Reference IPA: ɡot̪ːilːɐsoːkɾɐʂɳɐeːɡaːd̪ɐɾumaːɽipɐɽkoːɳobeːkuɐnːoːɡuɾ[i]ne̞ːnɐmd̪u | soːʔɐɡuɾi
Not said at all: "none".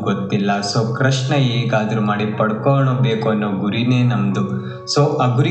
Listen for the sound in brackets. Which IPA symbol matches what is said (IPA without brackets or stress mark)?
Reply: i